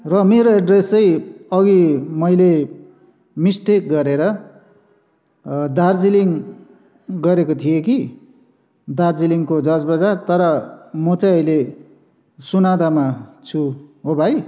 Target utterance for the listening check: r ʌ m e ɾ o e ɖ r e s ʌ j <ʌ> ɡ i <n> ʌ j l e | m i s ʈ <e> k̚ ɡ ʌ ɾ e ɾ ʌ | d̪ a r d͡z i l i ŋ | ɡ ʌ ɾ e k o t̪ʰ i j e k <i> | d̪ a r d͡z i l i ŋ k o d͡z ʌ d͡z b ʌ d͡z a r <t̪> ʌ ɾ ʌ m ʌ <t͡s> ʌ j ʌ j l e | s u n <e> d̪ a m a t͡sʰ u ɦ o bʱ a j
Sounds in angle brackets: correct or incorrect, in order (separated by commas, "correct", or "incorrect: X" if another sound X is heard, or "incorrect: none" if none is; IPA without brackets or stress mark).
correct, incorrect: m, correct, correct, correct, correct, incorrect: a